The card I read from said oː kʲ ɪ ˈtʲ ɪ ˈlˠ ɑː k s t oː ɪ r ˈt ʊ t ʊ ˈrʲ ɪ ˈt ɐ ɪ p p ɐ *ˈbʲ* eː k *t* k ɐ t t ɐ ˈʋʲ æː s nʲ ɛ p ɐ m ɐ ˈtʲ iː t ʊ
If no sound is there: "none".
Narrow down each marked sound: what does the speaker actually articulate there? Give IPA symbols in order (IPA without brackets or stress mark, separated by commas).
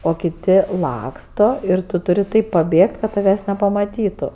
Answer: bʲ, t